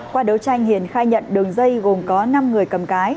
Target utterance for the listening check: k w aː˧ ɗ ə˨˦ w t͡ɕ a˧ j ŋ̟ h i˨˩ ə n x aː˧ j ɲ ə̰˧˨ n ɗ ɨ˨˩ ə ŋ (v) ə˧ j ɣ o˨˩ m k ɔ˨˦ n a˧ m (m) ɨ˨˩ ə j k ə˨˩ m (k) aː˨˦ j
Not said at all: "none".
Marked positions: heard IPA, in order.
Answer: z, ŋ, k

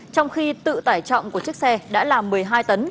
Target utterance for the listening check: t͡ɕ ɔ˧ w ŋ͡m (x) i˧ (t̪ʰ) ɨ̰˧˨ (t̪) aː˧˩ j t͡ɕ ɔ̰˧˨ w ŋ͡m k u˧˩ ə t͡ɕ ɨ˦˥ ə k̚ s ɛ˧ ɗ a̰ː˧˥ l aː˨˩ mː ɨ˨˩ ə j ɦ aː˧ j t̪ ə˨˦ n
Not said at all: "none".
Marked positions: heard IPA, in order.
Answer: x, t̪, t̪

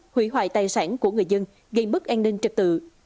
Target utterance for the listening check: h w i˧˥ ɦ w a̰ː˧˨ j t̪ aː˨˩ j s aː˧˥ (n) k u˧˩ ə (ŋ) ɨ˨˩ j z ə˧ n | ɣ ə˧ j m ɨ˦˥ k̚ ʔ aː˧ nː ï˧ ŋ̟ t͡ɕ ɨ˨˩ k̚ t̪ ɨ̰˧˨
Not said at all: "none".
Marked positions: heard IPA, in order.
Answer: n, ŋ

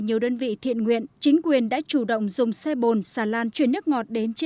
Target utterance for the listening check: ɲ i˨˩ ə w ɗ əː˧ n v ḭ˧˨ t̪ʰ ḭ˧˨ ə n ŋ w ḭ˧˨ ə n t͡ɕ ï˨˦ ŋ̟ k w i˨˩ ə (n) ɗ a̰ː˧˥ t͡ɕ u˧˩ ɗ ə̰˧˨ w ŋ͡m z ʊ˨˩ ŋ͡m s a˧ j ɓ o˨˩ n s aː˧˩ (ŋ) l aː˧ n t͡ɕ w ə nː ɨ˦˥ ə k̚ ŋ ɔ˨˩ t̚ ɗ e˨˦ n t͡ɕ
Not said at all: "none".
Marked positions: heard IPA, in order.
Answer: n, none

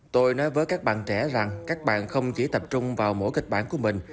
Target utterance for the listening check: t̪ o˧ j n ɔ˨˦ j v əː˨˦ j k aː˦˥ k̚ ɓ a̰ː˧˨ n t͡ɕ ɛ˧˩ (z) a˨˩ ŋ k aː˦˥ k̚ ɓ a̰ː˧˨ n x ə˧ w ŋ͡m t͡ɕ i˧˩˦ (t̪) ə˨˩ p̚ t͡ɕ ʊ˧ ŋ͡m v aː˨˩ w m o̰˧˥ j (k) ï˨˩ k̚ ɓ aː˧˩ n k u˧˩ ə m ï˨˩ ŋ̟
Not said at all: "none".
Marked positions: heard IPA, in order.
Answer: z, t̪, k

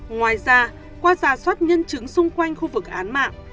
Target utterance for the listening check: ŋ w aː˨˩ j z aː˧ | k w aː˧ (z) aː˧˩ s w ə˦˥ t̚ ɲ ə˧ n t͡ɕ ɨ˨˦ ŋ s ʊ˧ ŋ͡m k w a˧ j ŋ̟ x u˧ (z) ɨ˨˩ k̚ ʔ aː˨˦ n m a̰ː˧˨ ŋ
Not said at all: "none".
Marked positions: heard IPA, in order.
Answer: z, v

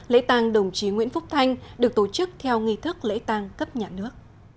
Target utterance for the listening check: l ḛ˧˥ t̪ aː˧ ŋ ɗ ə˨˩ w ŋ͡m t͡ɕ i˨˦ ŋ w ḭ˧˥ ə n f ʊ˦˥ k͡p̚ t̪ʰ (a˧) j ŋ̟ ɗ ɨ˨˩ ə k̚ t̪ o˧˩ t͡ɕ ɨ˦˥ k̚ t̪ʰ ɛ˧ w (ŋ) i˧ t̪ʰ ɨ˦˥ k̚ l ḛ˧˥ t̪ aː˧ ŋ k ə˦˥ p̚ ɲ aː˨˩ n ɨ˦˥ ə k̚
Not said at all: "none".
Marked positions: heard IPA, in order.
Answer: a˧, ŋ

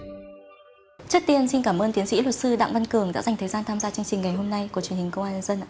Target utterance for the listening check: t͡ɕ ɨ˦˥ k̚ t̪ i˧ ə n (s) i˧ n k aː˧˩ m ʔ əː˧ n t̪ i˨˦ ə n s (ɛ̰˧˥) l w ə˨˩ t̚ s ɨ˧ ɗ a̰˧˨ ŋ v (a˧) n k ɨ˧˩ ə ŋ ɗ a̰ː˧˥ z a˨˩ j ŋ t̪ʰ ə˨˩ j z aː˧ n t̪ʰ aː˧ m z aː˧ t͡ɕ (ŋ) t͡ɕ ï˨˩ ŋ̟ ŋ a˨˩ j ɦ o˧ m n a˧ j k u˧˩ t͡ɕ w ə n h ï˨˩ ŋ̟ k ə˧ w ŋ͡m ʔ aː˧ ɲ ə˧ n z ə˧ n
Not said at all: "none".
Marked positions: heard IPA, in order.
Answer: s, ḭ˧˥, a˧, ŋ

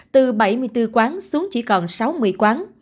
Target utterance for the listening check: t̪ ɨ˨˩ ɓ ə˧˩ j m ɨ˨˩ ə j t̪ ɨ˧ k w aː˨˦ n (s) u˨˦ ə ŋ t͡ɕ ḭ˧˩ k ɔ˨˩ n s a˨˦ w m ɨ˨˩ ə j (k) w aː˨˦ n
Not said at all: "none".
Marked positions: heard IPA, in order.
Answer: s, k

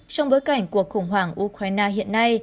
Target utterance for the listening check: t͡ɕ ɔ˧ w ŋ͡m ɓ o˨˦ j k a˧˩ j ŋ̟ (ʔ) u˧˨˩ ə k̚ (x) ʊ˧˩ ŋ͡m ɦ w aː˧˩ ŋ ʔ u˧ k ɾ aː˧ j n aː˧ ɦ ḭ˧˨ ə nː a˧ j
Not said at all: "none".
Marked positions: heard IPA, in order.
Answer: k, x

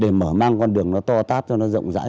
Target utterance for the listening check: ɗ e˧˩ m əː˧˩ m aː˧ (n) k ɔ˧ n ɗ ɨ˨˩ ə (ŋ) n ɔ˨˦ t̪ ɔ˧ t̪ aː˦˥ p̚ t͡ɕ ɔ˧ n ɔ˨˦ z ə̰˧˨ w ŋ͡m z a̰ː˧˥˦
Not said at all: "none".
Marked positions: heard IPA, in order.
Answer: ŋ, ŋ

